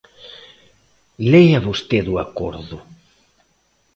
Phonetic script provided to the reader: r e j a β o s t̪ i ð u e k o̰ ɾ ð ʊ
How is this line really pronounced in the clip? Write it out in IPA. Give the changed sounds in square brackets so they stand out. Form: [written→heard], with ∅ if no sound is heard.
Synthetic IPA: [r→l] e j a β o s t̪ [i→e] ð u [e→a] k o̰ ɾ ð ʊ